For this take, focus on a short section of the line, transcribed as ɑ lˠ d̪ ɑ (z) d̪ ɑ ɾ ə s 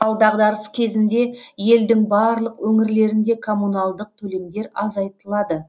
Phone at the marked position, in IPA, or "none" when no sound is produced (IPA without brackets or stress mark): ʁ